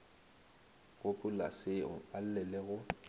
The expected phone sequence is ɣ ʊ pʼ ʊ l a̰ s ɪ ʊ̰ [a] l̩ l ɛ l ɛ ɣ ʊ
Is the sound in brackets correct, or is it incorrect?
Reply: correct